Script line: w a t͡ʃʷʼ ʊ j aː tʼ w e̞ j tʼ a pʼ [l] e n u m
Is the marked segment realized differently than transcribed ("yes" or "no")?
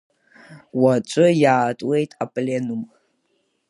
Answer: no